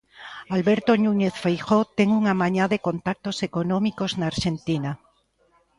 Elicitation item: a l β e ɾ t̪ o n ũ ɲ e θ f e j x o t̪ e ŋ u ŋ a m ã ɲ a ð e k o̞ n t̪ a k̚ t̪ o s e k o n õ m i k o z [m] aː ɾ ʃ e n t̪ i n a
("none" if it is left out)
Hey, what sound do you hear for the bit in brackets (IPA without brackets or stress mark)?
n